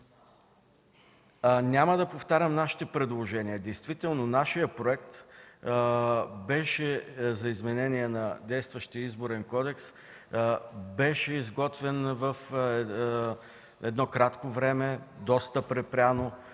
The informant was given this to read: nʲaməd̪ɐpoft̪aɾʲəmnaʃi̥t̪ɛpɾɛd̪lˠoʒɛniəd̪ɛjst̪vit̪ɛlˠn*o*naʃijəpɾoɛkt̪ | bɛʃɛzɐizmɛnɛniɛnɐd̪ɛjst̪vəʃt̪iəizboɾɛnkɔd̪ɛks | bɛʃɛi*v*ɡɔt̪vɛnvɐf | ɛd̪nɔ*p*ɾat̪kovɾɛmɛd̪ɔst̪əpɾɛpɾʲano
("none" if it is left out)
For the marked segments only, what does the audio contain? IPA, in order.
o, z, k

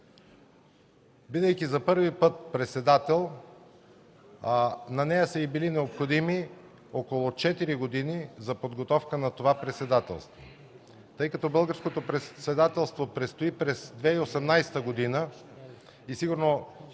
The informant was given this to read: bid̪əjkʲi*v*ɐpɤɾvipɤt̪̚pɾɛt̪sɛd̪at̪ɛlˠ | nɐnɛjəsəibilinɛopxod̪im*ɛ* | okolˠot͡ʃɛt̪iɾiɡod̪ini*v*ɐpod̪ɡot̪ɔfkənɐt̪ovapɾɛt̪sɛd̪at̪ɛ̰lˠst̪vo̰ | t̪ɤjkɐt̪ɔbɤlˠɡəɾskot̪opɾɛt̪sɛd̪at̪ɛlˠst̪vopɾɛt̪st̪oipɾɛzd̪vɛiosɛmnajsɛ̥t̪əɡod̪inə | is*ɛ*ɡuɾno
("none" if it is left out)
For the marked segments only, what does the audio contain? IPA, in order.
z, i, z, i

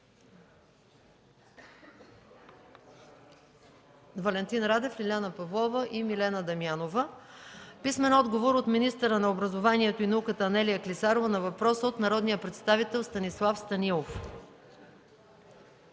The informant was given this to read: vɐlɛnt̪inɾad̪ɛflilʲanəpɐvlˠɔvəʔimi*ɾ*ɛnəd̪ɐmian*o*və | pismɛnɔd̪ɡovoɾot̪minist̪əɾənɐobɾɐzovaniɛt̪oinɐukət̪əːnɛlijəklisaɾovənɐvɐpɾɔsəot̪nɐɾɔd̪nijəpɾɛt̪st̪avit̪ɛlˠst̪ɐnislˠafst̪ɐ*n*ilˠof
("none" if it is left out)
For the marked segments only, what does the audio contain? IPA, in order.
l, o, n

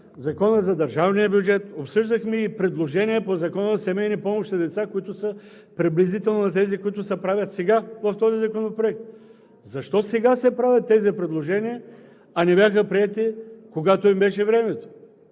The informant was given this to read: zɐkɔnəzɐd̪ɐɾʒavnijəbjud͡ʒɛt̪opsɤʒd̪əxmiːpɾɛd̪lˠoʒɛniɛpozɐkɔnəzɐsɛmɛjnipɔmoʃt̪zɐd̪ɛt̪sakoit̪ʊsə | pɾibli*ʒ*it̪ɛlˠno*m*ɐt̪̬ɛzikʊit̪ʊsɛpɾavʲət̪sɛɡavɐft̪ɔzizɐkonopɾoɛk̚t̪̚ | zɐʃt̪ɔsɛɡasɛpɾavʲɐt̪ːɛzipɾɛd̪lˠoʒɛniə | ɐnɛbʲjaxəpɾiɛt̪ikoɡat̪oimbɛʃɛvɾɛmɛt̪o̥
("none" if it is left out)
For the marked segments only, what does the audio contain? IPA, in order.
z, n

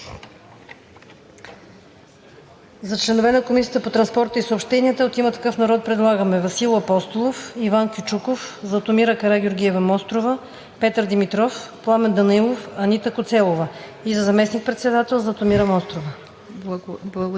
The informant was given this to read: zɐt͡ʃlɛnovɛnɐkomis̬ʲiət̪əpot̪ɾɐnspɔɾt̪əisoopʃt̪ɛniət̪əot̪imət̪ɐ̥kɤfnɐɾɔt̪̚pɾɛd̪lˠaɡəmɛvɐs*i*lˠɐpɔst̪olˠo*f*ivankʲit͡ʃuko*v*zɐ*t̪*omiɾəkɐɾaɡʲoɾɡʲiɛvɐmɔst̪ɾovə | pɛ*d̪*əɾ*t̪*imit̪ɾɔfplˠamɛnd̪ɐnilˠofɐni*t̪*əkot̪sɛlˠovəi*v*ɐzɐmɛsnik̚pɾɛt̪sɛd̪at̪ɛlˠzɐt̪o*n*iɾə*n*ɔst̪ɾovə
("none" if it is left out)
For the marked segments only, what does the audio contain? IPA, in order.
i, f, f, t̪, t̪, d̪, t̪, z, m, m

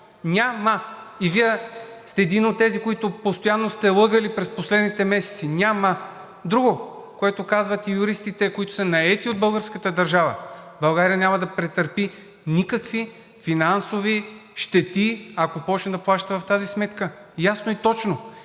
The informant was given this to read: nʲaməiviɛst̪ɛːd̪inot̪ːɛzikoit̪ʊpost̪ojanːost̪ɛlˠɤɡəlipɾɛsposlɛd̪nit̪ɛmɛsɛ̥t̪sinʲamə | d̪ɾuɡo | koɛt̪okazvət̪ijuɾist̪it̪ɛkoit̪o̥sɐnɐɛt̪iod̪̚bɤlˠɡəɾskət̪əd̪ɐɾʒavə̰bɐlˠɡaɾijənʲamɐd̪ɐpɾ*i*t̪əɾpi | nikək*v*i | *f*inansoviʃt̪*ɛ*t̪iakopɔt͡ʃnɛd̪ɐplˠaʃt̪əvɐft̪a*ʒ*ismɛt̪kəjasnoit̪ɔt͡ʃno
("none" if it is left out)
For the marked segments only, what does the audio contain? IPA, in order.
ɛ, v, f, ɛ, z

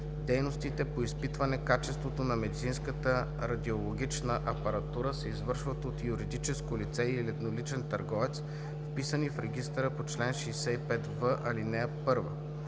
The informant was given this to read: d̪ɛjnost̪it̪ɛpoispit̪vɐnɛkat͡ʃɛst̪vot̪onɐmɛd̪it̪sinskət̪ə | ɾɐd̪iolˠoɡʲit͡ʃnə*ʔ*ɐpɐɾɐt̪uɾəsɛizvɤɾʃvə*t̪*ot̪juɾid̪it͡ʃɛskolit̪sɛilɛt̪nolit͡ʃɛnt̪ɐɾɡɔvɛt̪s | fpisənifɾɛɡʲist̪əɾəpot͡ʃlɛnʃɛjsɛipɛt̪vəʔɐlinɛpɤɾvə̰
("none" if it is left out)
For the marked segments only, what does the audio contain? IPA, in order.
ʔ, t̪

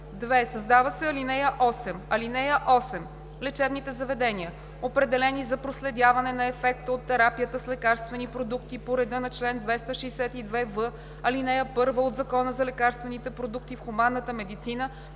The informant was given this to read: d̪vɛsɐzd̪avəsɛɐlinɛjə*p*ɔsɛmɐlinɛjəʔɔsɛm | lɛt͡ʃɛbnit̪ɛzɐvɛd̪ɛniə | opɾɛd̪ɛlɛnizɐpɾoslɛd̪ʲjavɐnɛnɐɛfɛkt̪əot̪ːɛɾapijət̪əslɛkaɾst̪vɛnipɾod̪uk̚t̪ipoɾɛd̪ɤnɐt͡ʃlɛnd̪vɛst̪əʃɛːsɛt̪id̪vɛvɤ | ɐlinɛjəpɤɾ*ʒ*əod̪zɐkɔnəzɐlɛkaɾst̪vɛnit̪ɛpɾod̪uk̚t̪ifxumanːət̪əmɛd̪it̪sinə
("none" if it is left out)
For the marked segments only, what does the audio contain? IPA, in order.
ʔ, v

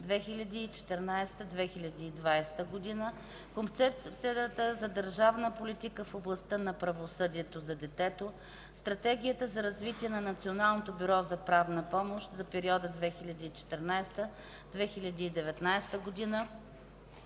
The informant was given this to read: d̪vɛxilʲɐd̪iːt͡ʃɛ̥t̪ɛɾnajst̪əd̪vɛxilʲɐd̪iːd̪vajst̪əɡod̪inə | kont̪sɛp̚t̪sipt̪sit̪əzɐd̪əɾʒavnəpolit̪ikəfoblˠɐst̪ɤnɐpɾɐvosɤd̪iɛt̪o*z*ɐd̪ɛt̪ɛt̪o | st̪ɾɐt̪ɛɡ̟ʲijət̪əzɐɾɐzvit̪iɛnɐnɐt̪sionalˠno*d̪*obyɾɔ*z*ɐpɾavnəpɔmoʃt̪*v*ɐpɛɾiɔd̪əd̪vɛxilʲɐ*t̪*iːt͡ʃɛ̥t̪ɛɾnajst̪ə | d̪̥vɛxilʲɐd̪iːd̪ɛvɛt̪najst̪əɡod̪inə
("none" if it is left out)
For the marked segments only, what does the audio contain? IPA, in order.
z, t̪, z, z, d̪

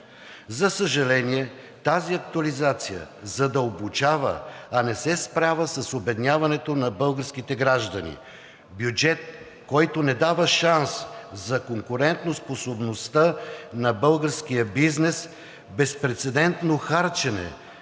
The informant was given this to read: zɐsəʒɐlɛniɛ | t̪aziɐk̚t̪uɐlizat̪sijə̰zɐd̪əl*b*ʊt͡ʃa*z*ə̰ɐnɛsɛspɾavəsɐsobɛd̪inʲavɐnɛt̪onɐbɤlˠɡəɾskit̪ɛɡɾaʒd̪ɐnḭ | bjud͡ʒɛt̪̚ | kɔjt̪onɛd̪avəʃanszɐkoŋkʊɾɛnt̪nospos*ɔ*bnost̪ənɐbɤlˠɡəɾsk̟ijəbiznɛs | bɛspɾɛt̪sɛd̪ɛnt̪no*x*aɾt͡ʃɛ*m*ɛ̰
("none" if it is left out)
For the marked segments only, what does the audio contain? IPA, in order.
b, v, o, x, n

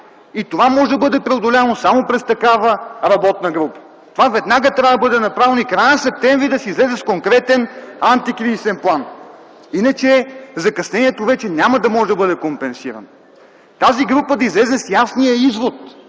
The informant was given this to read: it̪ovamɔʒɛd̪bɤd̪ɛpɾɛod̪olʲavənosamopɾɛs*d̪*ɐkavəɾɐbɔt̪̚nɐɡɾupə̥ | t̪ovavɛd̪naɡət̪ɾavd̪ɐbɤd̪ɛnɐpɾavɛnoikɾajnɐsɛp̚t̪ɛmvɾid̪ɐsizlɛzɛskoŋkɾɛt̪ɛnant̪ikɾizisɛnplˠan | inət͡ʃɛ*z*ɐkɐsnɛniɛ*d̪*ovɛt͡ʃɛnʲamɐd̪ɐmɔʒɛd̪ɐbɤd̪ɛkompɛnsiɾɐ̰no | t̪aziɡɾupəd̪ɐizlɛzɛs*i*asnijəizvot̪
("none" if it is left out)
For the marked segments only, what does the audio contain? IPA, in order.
t̪, z, t̪, j

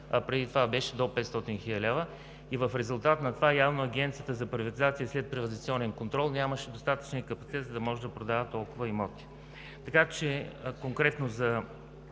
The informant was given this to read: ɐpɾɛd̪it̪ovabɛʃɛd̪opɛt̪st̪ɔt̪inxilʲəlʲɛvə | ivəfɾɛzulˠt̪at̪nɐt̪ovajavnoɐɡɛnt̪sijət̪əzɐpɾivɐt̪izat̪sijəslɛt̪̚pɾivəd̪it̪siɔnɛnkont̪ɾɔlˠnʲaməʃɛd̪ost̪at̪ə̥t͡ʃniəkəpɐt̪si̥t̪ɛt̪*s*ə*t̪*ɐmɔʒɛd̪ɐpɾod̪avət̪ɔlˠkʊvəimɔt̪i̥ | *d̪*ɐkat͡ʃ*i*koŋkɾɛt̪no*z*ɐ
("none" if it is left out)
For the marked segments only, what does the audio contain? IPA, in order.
z, d̪, t̪, ɛ, z

